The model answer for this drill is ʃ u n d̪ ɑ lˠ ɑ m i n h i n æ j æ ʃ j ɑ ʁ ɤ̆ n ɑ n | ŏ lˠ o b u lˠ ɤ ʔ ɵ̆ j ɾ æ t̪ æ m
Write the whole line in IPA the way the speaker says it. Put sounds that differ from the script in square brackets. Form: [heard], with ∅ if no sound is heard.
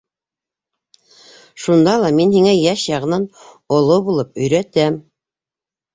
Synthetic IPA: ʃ u n d̪ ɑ lˠ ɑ m i n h i [ŋ] æ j æ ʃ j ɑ ʁ ɤ̆ n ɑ n | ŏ lˠ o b u lˠ ɤ [p] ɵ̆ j ɾ æ t̪ æ m